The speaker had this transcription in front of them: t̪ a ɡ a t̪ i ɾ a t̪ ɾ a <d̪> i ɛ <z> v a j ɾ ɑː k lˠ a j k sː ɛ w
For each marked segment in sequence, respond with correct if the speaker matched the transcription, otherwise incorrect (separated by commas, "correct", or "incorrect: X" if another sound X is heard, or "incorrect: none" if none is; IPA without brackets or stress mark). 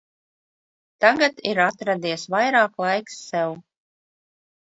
correct, incorrect: s